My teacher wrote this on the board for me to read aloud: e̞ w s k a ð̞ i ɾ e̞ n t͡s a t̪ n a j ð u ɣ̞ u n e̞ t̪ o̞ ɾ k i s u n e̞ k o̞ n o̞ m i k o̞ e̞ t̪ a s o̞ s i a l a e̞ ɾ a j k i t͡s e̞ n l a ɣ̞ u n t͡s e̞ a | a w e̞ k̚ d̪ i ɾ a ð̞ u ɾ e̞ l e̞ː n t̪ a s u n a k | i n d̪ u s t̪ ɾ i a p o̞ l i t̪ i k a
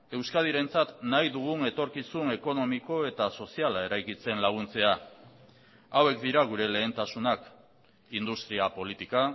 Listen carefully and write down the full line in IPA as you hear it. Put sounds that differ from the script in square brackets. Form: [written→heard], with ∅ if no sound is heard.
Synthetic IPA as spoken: e̞ w s k a ð̞ i ɾ e̞ n t͡s a t̪ n a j ð u ɣ̞ u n e̞ t̪ o̞ ɾ k i s u n e̞ k o̞ n o̞ m i k o̞ e̞ t̪ a s o̞ s i a l a e̞ ɾ a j k i t͡s e̞ n l a ɣ̞ u n t͡s e̞ a | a w e̞ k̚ d̪ i ɾ a [ð̞→ɣ̞] u ɾ e̞ l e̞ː n t̪ a s u n a k | i n d̪ u s t̪ ɾ i a p o̞ l i t̪ i k a